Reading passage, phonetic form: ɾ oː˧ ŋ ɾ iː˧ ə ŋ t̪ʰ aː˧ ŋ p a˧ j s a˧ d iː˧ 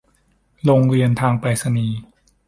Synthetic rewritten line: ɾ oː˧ ŋ ɾ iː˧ ə n t̪ʰ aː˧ ŋ p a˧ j s a˧ n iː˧